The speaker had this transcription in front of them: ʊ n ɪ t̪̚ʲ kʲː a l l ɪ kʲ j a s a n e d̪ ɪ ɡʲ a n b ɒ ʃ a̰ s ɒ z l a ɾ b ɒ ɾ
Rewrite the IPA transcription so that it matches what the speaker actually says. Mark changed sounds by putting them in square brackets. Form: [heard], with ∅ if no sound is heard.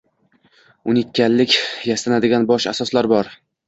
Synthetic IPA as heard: ʊ n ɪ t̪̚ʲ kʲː a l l ɪ kʲ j a s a n [a] d̪ ɪ ɡʲ a n b ɒ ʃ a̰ s ɒ [s] l a ɾ b ɒ ɾ